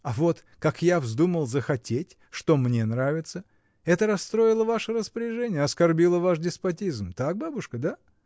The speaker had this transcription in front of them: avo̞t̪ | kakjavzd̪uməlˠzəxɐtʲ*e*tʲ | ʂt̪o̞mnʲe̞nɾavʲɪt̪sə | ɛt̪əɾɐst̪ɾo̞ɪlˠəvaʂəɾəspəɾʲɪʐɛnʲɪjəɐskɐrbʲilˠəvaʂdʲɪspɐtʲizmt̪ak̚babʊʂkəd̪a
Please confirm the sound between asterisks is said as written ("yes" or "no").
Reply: yes